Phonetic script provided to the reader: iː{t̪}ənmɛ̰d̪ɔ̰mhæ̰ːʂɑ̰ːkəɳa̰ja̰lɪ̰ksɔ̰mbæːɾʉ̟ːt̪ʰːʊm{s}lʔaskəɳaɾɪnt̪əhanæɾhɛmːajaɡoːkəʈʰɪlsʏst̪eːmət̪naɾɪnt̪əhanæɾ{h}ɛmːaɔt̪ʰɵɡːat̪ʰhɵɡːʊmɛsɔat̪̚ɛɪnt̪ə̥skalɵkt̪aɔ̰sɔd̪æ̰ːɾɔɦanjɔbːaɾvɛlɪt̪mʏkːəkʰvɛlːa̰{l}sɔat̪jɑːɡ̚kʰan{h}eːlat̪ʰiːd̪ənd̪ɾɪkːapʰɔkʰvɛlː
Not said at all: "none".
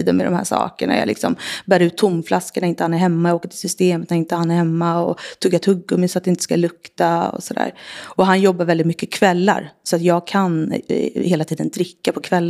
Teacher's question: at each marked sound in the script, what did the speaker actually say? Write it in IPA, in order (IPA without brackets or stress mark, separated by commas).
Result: d̪, f, h, ɾ, h